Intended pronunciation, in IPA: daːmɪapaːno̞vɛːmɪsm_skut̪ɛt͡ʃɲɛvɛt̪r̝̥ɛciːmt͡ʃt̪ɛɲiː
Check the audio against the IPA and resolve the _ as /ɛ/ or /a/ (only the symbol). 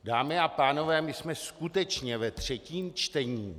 ɛ